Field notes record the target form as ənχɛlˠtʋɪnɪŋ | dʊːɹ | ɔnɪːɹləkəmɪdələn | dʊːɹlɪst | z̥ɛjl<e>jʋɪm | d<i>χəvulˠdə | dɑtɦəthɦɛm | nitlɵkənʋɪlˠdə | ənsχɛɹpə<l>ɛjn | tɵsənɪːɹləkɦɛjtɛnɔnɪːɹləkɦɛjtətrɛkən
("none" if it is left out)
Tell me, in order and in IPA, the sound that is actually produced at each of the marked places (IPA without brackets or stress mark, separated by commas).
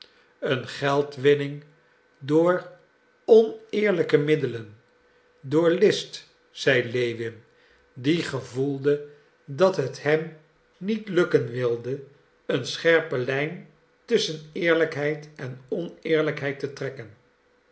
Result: e, i, l